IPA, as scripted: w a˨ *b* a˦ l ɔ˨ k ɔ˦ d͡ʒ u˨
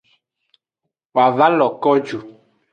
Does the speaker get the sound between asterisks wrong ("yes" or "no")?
yes